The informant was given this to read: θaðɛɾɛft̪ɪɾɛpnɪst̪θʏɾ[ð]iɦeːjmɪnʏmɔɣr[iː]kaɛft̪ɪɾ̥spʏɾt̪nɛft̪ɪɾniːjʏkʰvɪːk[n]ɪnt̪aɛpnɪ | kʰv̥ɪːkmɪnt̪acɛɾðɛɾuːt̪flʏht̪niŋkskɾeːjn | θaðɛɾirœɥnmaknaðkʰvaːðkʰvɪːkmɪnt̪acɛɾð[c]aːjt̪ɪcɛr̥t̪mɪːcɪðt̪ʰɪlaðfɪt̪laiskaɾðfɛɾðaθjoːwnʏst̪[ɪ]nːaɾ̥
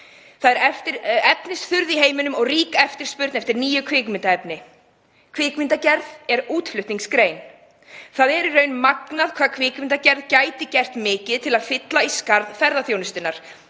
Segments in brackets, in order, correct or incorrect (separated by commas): correct, correct, incorrect, correct, correct